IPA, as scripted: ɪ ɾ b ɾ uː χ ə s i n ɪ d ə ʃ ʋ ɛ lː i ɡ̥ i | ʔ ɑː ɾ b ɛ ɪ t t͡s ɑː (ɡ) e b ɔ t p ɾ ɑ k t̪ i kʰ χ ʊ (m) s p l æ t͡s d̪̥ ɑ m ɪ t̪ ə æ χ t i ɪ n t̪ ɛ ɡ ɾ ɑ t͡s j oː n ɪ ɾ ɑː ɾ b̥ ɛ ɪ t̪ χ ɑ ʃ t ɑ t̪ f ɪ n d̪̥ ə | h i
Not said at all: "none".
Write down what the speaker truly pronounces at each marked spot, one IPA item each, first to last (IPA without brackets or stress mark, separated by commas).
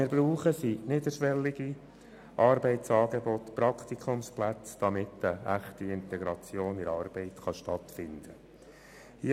ɡ, m